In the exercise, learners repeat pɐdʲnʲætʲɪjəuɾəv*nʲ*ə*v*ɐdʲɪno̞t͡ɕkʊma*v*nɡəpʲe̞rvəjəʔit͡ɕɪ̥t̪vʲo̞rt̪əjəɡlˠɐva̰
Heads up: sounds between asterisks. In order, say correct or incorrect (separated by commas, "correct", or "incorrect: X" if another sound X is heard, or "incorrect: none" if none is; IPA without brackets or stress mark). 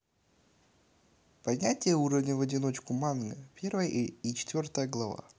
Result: correct, correct, incorrect: none